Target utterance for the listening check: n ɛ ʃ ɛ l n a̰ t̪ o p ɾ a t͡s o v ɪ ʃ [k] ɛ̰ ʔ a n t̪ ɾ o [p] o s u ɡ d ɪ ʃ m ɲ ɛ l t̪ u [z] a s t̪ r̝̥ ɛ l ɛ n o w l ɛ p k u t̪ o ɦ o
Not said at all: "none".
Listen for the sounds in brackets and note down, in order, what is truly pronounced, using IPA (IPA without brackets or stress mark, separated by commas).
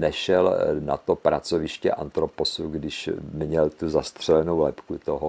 c, p, z